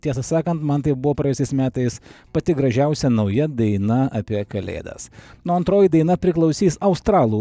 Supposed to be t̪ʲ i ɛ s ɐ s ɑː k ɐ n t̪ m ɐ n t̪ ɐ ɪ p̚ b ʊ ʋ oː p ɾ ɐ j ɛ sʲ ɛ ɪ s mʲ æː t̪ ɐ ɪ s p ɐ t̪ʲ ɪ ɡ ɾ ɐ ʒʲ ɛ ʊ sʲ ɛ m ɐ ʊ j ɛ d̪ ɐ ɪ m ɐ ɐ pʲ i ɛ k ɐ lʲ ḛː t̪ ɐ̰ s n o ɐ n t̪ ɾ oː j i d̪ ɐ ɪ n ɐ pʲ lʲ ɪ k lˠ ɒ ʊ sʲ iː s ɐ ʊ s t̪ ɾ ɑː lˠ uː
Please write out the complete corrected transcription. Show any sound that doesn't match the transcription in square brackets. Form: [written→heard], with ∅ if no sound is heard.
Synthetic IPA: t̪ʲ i ɛ s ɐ s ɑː k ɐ n t̪ m ɐ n t̪ ɐ ɪ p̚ b ʊ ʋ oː p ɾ ɐ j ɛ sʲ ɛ ɪ s mʲ æː t̪ ɐ ɪ s p ɐ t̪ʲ ɪ ɡ ɾ ɐ ʒʲ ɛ ʊ sʲ ɛ [m→n] ɐ ʊ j ɛ d̪ ɐ ɪ [m→n] ɐ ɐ pʲ i ɛ k ɐ lʲ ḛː [t̪→d̪] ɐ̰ s n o ɐ n t̪ ɾ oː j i d̪ ɐ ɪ n ɐ pʲ [lʲ→ɾʲ] ɪ k lˠ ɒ ʊ sʲ iː s ɐ ʊ s t̪ ɾ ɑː lˠ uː

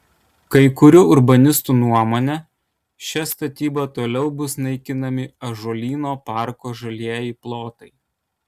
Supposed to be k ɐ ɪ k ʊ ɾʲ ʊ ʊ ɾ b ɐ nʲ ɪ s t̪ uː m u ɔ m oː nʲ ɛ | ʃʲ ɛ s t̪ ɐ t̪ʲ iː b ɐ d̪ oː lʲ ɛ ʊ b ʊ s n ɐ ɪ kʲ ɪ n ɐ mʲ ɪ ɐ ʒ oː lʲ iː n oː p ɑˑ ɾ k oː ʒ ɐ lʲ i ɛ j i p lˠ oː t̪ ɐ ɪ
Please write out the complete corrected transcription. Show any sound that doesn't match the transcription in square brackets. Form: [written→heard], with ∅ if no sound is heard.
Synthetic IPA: k ɐ ɪ k ʊ ɾʲ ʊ ʊ ɾ b ɐ nʲ ɪ s t̪ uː [m→n] u ɔ m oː nʲ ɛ | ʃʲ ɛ s t̪ ɐ t̪ʲ iː b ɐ [d̪→t̪] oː lʲ ɛ ʊ b ʊ s n ɐ ɪ kʲ ɪ n ɐ mʲ ɪ ɐ ʒ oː lʲ iː n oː p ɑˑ ɾ k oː ʒ ɐ lʲ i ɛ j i p lˠ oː t̪ ɐ ɪ

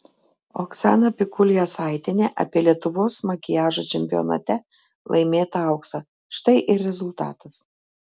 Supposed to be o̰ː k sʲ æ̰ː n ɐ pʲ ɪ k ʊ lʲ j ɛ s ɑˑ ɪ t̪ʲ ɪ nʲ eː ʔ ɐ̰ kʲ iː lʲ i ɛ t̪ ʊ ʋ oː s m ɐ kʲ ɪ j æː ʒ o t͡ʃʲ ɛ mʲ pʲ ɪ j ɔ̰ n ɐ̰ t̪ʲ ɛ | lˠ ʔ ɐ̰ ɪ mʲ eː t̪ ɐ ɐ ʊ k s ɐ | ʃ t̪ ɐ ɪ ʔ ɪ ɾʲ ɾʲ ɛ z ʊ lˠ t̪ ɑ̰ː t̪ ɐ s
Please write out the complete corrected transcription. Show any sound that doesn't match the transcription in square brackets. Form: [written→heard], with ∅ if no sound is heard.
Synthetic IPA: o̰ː k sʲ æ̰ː n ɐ pʲ ɪ k ʊ lʲ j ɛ s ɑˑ ɪ t̪ʲ ɪ nʲ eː ʔ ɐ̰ [kʲ→pʲ] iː lʲ i ɛ t̪ ʊ ʋ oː s m ɐ kʲ ɪ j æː ʒ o t͡ʃʲ ɛ mʲ pʲ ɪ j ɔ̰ n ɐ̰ t̪ʲ ɛ | lˠ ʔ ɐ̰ ɪ mʲ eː t̪ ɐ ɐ ʊ k s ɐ | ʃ t̪ ɐ ɪ ʔ ɪ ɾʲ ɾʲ ɛ z ʊ lˠ t̪ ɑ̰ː t̪ ɐ s

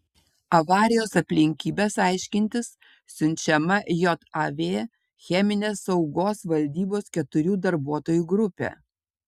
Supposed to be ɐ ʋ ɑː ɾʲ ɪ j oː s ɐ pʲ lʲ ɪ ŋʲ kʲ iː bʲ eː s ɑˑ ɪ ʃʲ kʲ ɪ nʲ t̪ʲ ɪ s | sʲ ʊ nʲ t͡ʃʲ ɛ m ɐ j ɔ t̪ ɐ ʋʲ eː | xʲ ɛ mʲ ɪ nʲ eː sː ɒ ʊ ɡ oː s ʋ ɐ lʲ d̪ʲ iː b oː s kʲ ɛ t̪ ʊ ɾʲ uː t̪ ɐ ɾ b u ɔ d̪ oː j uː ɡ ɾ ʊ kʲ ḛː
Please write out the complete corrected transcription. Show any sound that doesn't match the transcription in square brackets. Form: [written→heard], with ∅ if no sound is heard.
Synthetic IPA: ɐ ʋ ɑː ɾʲ ɪ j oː s ɐ pʲ lʲ ɪ ŋʲ kʲ iː bʲ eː s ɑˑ ɪ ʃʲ kʲ ɪ nʲ t̪ʲ ɪ s | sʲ ʊ nʲ t͡ʃʲ ɛ m ɐ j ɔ t̪ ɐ ʋʲ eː | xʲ ɛ mʲ ɪ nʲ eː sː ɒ ʊ ɡ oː s ʋ ɐ lʲ d̪ʲ iː b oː s kʲ ɛ t̪ ʊ ɾʲ uː [t̪→d̪] ɐ ɾ b u ɔ [d̪→t̪] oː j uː ɡ ɾ ʊ [kʲ→pʲ] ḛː

